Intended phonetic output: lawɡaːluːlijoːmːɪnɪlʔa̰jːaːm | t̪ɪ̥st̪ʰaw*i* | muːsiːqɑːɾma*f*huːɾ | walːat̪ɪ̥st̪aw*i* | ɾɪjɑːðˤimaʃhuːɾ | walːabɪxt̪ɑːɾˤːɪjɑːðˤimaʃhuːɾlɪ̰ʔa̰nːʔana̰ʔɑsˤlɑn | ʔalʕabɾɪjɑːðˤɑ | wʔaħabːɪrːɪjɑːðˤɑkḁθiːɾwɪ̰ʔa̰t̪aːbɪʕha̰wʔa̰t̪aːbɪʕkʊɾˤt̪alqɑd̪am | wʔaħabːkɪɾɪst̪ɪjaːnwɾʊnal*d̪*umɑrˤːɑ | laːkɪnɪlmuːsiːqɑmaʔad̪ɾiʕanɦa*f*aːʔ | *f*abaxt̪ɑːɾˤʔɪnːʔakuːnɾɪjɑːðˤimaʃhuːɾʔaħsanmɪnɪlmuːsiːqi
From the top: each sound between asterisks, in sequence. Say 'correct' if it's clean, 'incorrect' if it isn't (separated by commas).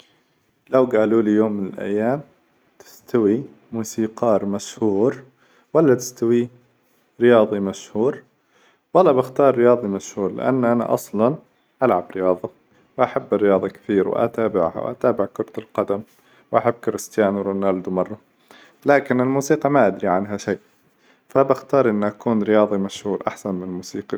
correct, incorrect, correct, correct, incorrect, correct